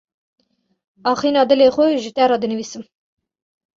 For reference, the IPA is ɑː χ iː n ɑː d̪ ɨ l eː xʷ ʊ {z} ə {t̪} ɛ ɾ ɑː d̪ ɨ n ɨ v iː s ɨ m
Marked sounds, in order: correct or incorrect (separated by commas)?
incorrect, correct